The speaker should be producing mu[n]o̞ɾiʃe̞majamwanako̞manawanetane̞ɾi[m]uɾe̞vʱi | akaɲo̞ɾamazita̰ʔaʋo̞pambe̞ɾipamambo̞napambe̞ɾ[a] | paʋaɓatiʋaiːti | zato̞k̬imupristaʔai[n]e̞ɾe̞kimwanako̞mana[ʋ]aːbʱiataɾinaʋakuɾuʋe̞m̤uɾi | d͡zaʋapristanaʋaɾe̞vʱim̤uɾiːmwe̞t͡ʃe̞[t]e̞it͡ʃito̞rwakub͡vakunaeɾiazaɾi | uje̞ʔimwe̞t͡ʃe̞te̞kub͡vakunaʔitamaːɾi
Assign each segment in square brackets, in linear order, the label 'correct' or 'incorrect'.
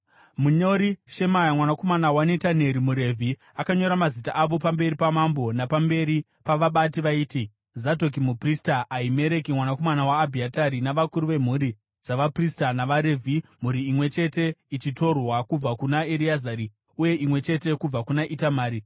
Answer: incorrect, correct, incorrect, incorrect, incorrect, correct

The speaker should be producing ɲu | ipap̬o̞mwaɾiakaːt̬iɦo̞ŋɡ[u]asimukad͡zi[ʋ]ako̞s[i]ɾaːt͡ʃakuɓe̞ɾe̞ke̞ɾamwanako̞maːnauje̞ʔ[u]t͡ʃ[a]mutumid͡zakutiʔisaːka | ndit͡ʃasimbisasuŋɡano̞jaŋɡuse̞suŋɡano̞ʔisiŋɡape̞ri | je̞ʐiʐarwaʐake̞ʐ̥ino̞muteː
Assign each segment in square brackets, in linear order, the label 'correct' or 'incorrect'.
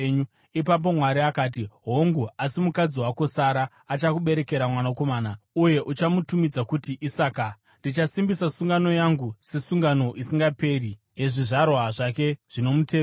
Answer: correct, incorrect, incorrect, correct, correct

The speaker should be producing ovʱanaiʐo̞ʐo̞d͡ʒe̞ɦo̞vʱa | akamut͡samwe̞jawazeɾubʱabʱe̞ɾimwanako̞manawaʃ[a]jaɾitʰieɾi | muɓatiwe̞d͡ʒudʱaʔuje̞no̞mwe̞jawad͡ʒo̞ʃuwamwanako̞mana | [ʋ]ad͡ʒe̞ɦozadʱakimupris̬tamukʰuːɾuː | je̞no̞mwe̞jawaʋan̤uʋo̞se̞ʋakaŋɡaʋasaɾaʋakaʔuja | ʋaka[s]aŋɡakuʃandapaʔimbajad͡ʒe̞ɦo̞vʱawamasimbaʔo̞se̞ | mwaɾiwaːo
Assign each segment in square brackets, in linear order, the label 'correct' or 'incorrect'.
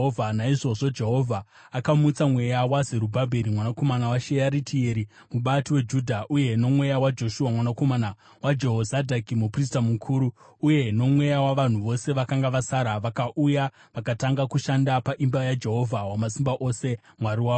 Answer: incorrect, incorrect, incorrect

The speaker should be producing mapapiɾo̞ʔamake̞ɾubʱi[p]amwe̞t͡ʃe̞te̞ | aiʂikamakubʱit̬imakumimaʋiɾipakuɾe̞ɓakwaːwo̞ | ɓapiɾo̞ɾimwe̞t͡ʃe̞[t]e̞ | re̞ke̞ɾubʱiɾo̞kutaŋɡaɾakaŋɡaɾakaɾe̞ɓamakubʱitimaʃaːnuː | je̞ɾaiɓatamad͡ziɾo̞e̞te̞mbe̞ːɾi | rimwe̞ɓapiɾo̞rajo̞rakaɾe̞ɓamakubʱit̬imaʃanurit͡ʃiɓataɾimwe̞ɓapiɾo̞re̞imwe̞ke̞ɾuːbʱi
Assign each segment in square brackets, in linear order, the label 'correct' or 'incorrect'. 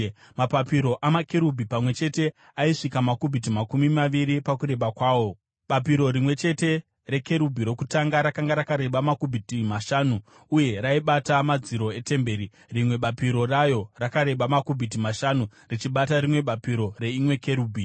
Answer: correct, correct

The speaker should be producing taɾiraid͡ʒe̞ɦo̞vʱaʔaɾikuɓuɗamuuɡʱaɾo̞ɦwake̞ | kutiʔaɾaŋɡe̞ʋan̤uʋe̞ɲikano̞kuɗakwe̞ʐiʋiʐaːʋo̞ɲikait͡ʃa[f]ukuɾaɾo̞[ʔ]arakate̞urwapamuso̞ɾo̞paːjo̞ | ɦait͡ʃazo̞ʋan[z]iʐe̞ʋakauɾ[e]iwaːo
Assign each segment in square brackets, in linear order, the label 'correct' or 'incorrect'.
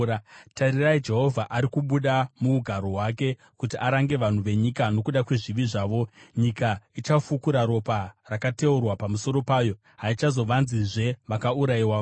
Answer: correct, incorrect, correct, incorrect

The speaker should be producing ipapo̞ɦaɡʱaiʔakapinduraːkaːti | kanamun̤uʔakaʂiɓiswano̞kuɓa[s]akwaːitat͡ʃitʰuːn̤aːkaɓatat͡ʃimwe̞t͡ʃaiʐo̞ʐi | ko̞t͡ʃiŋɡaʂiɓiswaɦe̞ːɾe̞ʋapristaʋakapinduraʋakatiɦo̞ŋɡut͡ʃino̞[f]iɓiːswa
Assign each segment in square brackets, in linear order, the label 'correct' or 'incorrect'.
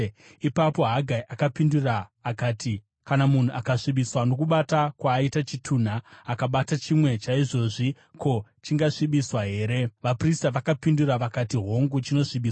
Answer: incorrect, incorrect

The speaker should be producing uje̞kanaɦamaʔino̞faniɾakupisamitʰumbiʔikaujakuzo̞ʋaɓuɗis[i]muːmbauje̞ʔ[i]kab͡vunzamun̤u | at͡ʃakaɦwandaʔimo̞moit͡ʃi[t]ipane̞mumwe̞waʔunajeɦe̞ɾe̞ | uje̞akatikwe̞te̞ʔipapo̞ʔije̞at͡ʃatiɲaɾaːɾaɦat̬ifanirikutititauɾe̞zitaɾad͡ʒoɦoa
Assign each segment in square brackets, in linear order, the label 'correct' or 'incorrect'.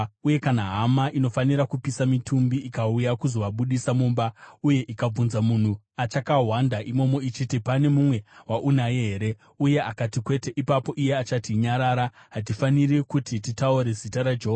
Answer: incorrect, correct, correct

